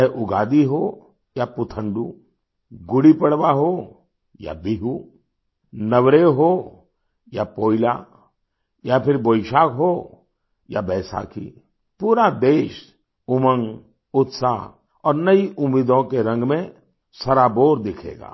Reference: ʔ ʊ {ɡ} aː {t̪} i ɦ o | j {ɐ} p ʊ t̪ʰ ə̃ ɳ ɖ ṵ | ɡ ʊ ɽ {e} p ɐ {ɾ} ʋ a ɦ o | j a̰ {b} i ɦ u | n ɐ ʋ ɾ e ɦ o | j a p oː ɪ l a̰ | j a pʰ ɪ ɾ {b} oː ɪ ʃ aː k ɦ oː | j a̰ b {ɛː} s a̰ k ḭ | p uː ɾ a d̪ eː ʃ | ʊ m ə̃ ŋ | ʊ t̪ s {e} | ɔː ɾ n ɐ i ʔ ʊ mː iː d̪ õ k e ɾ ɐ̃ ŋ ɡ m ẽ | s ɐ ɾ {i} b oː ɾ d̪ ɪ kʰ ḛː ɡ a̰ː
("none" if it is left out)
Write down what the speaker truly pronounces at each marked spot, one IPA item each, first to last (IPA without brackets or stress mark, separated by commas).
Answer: ɡ, d̪, a, i, ɽ, b, b, ɛː, a, a